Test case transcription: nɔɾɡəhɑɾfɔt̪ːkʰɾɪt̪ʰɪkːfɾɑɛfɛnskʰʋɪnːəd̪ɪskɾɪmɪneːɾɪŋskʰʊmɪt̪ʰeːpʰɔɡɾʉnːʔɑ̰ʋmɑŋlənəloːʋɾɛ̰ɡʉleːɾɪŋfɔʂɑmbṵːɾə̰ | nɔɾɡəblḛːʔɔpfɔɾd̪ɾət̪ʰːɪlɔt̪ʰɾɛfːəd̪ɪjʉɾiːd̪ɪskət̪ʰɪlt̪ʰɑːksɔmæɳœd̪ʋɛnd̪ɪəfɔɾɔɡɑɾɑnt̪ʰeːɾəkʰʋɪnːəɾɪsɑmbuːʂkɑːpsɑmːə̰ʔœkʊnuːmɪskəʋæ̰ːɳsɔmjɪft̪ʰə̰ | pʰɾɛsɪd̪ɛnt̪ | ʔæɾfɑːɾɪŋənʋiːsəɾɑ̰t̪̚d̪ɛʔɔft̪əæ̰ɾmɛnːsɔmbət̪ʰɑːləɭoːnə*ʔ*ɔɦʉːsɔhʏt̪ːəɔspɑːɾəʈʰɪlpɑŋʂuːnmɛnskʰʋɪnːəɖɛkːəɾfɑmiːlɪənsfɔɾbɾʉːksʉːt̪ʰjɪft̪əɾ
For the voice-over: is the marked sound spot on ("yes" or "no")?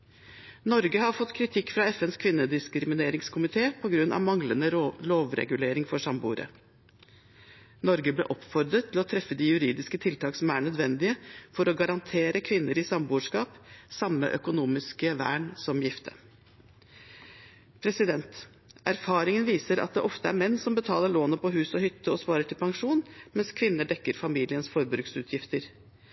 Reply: no